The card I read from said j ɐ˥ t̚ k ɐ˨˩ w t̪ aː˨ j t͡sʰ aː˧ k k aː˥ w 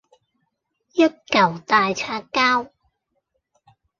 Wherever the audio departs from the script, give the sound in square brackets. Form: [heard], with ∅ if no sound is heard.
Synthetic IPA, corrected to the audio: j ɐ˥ t̚ k ɐ˨˩ w t̪ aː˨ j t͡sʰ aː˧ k k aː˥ w